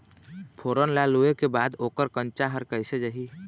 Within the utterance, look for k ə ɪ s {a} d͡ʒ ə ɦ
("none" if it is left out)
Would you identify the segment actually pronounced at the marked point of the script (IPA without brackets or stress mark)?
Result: e